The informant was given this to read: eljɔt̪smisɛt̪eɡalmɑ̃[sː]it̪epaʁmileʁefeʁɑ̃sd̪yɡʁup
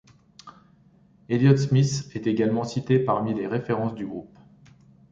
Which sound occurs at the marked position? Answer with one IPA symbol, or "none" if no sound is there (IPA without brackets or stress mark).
s